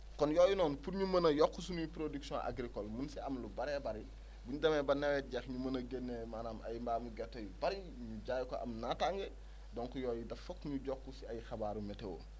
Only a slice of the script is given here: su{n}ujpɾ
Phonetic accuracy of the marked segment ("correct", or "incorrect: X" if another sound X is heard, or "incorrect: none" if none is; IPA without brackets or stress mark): correct